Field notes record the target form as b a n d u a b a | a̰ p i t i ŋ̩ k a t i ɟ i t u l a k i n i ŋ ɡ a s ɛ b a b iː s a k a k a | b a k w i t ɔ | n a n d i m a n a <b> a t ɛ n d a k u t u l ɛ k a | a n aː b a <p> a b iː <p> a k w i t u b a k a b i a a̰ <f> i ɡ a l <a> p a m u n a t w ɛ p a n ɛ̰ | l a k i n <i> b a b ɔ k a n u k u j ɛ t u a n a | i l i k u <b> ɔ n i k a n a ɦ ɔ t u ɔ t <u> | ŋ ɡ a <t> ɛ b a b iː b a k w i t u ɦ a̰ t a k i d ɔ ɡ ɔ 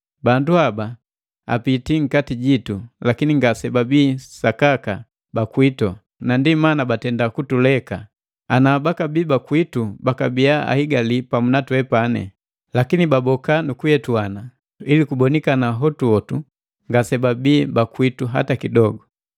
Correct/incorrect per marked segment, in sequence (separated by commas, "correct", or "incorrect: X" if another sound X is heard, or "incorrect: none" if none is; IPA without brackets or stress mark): correct, incorrect: k, incorrect: b, incorrect: h, incorrect: i, correct, correct, correct, incorrect: s